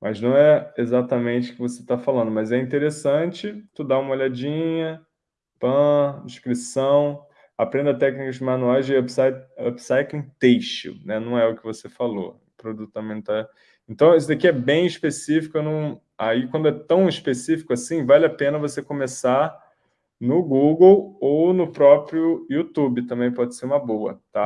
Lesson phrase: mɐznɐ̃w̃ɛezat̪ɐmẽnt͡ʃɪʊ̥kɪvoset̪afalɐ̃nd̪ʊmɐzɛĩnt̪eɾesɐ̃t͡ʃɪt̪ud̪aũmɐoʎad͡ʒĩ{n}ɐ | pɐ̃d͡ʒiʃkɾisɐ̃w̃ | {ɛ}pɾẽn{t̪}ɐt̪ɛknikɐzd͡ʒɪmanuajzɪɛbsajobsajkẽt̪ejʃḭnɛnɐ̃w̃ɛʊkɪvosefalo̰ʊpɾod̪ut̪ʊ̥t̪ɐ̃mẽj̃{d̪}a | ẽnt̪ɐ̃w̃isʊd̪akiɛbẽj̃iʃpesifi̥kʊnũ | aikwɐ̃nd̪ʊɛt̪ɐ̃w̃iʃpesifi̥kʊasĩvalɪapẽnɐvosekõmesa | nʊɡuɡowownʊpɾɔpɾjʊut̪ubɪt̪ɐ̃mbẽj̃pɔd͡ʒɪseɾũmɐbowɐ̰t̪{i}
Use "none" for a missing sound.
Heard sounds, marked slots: ɲ, a, d̪, t̪, a

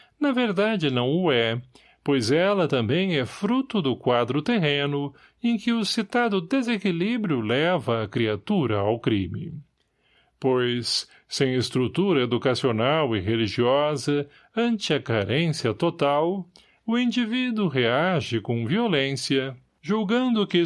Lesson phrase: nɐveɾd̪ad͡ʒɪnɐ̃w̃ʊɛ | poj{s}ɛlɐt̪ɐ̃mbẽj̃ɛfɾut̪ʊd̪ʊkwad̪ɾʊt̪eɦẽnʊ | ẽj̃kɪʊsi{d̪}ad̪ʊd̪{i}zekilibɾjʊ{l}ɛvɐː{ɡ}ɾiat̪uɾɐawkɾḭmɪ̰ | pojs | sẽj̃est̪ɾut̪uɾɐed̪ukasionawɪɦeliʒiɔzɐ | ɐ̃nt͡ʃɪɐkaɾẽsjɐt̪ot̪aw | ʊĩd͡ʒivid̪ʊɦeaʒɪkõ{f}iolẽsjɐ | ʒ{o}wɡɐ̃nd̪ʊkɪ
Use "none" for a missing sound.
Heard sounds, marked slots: z, t̪, e, l, k, v, u

